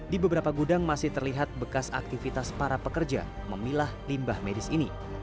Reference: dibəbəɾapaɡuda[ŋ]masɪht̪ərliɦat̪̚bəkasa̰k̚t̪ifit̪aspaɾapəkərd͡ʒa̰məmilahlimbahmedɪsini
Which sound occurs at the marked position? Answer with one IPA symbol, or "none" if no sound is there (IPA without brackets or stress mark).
ŋ